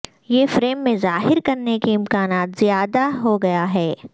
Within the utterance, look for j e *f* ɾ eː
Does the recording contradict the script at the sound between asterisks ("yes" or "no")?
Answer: no